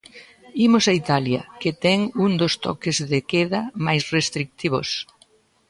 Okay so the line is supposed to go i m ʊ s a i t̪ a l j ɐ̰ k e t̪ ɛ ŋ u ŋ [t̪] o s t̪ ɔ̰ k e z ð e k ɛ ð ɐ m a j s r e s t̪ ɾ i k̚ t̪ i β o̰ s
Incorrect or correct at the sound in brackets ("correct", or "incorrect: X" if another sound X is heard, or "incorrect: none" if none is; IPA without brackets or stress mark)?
incorrect: d̪